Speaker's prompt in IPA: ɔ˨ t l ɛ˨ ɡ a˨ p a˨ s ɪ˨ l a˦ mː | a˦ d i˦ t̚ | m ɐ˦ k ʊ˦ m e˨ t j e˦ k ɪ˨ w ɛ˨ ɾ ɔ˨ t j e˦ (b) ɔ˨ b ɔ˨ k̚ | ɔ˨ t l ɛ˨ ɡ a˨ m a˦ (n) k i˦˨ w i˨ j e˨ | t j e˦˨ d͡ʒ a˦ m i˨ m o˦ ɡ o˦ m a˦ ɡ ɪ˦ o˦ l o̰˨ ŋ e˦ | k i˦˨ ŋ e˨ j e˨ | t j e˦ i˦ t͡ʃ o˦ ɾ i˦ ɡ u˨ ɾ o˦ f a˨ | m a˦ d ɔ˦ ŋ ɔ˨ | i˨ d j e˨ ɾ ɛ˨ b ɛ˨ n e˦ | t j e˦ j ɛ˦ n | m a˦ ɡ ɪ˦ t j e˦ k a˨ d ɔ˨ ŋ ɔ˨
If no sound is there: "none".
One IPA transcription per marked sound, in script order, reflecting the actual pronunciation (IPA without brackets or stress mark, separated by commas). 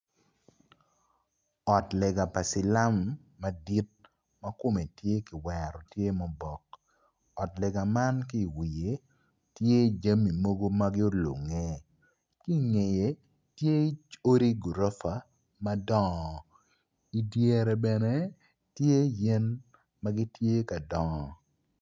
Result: m, n